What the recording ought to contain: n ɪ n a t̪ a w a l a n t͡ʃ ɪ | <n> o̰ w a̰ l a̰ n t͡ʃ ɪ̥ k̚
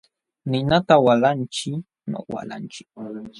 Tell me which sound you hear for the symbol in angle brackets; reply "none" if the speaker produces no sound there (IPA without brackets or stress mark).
n